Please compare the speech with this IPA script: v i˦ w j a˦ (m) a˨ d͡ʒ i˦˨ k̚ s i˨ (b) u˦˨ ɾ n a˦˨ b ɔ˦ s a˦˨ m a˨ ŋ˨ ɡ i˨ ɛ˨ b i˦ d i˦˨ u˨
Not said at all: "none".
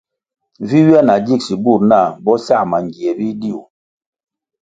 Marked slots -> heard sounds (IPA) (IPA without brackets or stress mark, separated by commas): n, b